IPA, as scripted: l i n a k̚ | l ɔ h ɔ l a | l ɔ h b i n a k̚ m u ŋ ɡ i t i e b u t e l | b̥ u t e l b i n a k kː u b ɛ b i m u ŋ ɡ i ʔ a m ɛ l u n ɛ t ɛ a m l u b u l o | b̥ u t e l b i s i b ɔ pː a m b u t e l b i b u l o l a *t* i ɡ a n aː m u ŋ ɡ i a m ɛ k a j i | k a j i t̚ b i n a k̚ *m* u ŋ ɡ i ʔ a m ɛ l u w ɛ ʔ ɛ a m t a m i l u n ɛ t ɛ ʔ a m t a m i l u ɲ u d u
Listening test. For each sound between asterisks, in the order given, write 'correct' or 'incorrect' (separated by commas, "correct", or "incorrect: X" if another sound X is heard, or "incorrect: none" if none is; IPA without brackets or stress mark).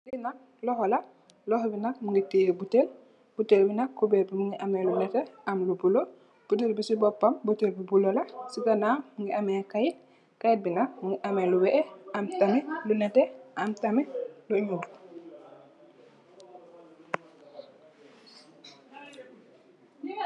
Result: incorrect: s, correct